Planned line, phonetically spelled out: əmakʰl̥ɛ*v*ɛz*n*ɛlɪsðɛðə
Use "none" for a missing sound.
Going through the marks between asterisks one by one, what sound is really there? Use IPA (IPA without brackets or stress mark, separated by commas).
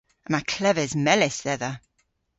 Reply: v, m